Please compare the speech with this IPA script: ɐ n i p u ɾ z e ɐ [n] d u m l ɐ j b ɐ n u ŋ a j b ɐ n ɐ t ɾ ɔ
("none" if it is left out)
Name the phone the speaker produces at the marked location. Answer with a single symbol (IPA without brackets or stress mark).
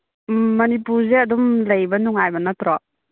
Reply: none